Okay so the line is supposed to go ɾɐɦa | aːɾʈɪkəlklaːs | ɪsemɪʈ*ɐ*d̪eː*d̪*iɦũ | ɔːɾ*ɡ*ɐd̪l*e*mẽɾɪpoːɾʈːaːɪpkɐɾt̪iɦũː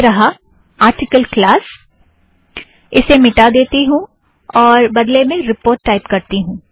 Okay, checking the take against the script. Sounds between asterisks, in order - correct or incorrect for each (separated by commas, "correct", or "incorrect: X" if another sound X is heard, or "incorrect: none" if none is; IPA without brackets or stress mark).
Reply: incorrect: a, incorrect: t̪, incorrect: b, correct